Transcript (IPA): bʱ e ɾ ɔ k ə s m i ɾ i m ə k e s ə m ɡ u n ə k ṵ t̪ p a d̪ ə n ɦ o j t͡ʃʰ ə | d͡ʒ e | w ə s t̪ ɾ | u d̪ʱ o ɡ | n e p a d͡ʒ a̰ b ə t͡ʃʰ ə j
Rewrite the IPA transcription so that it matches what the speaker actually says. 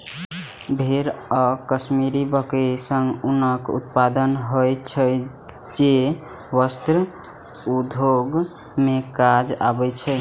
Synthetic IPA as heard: bʱ e ɾ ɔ k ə s m i ɾ i b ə k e s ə ŋ ɡ u n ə k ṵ t̪ p a d̪ ə n ɦ o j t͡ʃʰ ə | d͡ʒ e | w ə s t̪ ɾ | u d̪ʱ o ɡ | m e k a d͡ʒ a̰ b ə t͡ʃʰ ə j